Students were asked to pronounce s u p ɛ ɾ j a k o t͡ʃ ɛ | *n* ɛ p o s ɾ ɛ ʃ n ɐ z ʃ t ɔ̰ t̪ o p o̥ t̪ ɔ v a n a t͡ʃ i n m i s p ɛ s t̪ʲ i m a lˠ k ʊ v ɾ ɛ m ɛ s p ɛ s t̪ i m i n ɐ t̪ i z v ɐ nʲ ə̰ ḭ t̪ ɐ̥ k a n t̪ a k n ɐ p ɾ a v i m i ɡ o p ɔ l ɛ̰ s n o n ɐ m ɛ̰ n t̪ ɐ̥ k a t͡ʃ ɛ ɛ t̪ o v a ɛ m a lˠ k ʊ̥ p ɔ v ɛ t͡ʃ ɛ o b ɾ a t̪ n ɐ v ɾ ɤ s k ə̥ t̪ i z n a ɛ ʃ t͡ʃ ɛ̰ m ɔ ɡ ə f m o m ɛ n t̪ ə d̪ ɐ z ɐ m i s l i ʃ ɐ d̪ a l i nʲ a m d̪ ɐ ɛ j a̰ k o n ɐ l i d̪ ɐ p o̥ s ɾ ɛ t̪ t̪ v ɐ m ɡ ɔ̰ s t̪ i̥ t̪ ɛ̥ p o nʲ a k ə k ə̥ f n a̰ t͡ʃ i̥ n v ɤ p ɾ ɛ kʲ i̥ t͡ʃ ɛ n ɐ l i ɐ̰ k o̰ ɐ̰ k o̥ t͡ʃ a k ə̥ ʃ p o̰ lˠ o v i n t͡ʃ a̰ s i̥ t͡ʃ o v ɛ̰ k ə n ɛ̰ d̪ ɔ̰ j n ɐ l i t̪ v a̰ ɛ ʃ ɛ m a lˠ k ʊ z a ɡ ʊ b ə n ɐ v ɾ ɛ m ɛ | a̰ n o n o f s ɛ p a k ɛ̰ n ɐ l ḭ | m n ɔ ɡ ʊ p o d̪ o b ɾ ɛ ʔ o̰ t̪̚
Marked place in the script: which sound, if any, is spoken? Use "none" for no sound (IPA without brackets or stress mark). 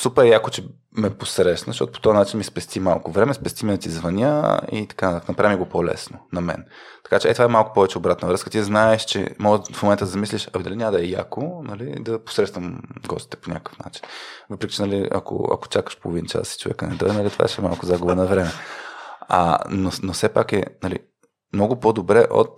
m